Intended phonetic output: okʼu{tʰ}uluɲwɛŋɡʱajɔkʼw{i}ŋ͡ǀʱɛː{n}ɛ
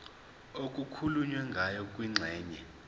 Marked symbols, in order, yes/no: no, yes, no

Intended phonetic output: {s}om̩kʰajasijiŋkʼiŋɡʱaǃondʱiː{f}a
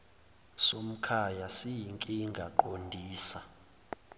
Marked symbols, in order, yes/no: yes, no

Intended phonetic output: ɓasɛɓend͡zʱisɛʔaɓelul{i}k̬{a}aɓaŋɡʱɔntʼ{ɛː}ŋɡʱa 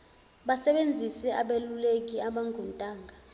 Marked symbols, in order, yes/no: no, no, no

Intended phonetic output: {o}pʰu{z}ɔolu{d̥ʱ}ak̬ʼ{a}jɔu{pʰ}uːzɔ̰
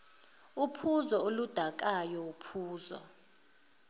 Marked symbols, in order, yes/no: no, yes, yes, yes, yes

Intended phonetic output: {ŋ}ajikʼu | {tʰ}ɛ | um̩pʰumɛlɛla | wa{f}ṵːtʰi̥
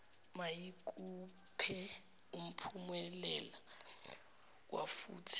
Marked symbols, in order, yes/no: no, no, yes

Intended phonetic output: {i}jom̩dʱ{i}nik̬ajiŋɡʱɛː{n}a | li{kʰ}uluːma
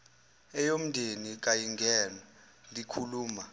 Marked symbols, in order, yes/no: no, no, yes, yes

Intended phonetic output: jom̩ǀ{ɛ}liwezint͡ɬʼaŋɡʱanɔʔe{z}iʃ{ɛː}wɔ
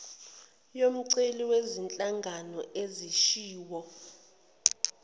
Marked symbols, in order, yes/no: no, yes, no

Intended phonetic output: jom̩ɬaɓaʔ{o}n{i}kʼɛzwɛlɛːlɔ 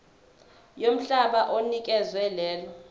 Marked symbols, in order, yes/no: yes, yes

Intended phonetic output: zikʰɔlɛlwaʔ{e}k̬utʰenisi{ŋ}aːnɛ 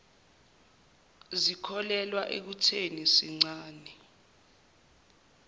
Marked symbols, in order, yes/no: yes, no

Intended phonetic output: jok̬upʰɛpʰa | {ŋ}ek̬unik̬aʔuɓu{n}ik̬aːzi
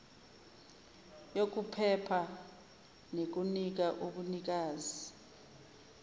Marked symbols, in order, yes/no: no, yes

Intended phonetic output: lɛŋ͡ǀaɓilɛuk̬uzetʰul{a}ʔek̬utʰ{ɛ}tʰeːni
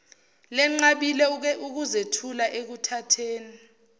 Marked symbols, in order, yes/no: yes, no

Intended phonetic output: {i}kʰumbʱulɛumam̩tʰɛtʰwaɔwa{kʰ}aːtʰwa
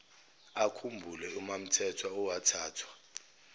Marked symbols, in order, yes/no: no, no

